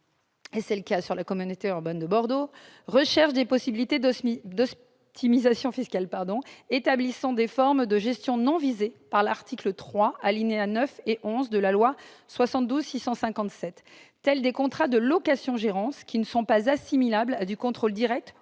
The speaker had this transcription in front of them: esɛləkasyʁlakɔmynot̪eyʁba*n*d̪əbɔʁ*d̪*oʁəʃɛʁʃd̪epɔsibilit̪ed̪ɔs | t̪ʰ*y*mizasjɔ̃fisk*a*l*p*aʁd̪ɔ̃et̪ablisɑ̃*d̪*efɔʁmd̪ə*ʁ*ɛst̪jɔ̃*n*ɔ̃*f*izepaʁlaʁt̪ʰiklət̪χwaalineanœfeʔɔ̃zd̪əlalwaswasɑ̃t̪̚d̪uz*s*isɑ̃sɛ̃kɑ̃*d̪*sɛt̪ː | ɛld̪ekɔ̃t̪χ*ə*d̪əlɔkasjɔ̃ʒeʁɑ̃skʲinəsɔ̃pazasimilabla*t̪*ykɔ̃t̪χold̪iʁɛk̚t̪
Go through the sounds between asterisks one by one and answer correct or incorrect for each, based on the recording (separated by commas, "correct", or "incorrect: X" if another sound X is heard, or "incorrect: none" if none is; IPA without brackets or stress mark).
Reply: correct, correct, incorrect: i, correct, correct, correct, incorrect: ʒ, correct, incorrect: v, correct, incorrect: t̪, incorrect: a, incorrect: d̪